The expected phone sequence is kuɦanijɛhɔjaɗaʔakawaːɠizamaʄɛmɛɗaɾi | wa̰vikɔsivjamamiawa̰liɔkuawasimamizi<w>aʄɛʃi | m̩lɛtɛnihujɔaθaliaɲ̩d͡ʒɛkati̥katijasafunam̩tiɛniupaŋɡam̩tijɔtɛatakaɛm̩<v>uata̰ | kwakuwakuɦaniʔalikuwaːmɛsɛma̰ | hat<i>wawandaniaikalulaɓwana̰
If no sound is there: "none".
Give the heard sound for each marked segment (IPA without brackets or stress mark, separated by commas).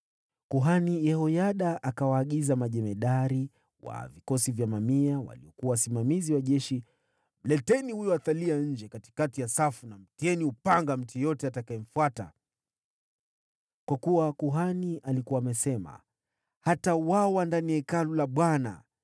w, f, a